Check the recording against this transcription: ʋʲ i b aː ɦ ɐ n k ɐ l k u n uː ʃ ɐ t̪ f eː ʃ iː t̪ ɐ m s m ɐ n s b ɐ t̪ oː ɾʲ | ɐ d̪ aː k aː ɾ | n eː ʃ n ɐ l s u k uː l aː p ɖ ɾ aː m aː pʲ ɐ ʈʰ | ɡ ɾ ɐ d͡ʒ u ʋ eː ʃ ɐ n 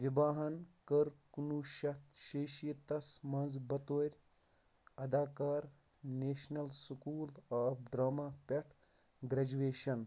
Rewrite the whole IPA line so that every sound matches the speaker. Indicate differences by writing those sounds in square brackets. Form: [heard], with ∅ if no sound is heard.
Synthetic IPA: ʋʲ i b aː ɦ ɐ n k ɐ [ɾ] k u n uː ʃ ɐ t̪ [ʃ] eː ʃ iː t̪ ɐ [∅] s m ɐ n [z] b ɐ t̪ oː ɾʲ | ɐ d̪ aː k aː ɾ | n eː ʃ n ɐ l s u k uː l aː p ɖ ɾ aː m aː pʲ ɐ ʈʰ | ɡ ɾ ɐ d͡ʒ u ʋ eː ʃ ɐ n